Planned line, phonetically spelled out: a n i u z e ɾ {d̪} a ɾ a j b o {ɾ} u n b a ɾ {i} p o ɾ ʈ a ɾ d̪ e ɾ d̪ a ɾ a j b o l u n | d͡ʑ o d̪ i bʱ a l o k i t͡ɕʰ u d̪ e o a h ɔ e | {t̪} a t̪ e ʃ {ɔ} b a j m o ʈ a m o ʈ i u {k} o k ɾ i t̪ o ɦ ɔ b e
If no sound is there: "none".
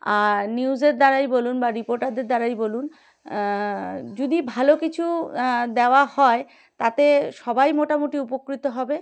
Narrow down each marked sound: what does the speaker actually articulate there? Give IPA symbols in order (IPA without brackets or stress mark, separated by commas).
d̪, l, i, t̪, ɔ, p